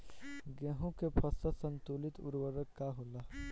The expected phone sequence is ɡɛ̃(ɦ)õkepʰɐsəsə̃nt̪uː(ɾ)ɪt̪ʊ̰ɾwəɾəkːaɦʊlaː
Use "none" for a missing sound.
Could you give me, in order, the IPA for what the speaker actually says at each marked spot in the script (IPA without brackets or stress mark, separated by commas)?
ɦ, l